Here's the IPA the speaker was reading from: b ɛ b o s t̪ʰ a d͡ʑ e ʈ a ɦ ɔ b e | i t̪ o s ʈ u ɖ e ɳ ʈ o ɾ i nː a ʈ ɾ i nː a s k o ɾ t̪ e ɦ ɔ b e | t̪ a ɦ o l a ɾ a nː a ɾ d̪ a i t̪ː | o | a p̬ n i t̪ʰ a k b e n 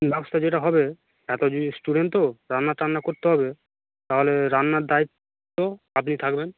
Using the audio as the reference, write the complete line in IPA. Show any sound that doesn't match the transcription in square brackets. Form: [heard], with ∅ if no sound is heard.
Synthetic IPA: b ɛ b o s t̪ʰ a d͡ʑ e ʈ a ɦ ɔ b e | [ɛ] t̪ o s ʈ u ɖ e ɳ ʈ o ɾ [a] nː a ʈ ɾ [a] nː a [∅] k o ɾ t̪ e ɦ ɔ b e | t̪ a ɦ o l [e] ɾ a nː a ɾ d̪ a i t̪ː | o | a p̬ n i t̪ʰ a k b e n